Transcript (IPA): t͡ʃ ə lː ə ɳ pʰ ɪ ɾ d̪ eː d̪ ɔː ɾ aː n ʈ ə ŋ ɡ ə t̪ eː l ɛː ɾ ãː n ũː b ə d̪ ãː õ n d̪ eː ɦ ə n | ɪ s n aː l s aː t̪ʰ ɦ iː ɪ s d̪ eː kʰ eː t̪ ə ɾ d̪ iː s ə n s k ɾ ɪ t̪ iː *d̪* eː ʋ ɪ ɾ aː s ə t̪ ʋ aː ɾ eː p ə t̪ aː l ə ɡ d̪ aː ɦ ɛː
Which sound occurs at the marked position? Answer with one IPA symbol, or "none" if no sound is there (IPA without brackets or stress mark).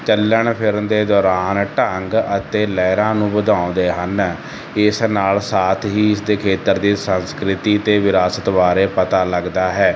t̪